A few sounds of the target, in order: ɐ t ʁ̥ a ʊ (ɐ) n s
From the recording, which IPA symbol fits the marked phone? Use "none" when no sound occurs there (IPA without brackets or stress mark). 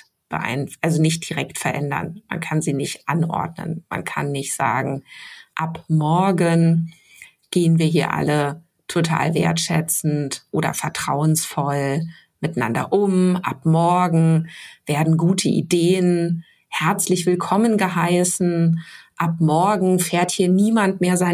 ə